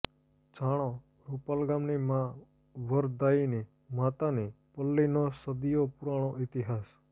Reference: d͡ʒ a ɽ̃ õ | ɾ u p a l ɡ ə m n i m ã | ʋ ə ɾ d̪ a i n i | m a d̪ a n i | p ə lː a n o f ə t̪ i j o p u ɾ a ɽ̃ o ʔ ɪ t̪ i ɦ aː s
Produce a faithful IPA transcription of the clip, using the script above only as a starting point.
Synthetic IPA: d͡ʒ a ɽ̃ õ | ɾ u p a l ɡ a m n i m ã | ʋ ə ɾ d̪ a i n i | m a t̪ a n i | p ə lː i n o s ə d̪ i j o p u ɾ a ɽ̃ o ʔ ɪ t̪ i ɦ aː s